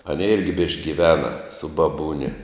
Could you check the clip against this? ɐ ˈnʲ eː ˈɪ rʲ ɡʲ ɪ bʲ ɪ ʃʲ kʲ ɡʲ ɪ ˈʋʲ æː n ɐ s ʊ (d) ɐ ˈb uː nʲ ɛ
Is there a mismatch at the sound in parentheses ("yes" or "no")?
yes